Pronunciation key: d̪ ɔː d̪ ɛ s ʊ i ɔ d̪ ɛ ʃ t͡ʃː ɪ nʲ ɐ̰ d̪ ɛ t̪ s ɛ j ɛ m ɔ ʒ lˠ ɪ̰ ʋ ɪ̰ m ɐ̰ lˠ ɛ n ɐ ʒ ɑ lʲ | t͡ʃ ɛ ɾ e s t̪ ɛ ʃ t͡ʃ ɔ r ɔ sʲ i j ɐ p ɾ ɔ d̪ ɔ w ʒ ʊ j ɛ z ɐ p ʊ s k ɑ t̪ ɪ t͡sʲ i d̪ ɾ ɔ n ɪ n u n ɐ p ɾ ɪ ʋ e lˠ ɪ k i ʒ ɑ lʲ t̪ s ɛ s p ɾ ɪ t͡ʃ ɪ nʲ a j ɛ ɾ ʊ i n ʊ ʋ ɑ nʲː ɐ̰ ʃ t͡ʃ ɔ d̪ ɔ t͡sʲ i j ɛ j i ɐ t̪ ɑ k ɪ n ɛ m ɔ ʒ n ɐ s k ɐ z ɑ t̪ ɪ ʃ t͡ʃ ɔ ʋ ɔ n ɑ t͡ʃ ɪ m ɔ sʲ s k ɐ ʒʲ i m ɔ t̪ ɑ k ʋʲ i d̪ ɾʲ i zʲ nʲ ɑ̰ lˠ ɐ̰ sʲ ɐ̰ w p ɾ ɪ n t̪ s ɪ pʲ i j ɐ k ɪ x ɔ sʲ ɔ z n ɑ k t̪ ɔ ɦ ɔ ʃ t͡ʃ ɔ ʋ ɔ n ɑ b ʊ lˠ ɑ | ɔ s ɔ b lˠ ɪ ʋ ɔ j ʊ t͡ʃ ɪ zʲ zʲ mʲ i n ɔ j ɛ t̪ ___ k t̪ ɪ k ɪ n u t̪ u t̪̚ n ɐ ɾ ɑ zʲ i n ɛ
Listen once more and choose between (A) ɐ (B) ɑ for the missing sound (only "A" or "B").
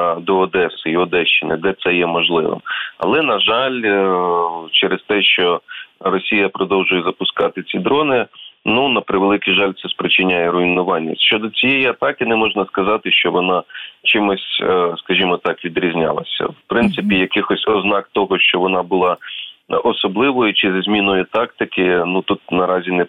B